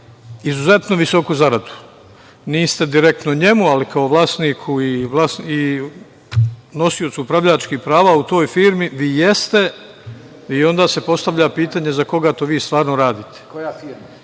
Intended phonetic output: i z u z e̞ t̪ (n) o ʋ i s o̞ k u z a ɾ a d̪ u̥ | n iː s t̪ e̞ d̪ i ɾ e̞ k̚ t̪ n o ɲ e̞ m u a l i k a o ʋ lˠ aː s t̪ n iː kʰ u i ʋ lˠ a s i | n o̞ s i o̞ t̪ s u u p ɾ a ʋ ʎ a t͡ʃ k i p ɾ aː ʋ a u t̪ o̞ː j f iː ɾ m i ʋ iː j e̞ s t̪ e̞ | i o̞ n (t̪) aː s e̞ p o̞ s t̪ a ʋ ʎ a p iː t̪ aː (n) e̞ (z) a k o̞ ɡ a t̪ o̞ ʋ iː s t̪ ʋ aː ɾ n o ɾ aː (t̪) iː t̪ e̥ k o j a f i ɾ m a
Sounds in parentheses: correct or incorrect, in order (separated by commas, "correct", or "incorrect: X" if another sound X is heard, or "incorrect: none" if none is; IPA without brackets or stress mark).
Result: correct, incorrect: d̪, incorrect: ɲ, correct, incorrect: d̪